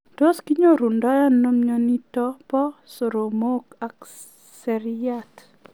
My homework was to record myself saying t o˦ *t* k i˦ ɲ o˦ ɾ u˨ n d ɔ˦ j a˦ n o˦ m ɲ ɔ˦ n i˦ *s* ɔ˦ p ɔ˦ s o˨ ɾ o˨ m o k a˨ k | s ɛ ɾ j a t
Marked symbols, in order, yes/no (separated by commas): no, no